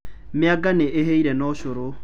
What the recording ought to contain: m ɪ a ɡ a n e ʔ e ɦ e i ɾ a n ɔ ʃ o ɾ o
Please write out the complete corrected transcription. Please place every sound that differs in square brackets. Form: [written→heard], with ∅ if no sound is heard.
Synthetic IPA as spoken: m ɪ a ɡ a n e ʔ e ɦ e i ɾ [a→ɛ] n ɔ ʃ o ɾ o